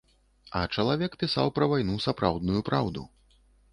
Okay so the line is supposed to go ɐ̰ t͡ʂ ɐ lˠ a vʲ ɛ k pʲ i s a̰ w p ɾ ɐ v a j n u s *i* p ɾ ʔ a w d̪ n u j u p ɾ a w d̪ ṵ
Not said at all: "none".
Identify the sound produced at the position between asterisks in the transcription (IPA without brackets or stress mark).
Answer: a